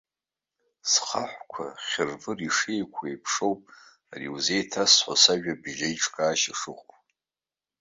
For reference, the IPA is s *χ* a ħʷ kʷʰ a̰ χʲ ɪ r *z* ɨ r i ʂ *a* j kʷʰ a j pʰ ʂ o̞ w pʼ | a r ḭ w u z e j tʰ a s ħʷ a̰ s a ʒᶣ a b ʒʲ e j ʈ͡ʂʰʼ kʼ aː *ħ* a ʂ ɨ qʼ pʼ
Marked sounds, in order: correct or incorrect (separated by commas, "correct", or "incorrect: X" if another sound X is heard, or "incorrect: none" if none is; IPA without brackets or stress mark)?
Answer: correct, incorrect: v, incorrect: e, incorrect: ʃ